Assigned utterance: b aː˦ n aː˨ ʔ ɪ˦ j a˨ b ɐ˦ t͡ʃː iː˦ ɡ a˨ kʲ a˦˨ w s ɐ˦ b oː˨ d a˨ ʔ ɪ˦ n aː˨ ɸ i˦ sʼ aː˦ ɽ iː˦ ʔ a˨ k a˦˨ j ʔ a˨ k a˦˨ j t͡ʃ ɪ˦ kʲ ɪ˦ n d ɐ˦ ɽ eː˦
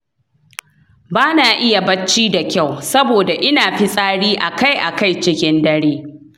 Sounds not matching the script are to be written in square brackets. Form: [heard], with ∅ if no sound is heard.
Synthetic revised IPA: b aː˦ n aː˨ ʔ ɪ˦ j a˨ b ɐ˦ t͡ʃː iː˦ [d] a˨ kʲ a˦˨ w s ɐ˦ b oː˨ d a˨ ʔ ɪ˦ n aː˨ ɸ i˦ sʼ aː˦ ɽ iː˦ ʔ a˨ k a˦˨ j ʔ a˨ k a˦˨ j t͡ʃ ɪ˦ kʲ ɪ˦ n d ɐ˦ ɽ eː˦